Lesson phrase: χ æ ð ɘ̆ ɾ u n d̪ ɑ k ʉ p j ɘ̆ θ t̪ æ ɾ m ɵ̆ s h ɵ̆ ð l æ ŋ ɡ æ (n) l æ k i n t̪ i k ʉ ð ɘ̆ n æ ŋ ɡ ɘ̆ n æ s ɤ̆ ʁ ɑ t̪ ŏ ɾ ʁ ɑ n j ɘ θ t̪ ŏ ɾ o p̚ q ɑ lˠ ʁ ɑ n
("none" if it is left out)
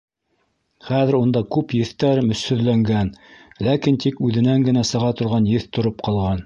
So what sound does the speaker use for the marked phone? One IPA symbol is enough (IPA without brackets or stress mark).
n